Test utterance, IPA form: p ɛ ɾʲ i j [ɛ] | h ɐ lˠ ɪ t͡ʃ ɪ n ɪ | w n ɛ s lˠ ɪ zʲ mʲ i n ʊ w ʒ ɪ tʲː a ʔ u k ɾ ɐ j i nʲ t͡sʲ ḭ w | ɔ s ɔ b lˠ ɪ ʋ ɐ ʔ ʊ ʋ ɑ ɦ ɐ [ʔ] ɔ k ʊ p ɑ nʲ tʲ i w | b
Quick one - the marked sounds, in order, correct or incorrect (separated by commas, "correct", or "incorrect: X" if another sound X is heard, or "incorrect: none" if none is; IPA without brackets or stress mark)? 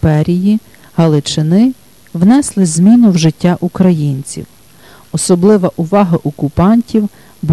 incorrect: i, correct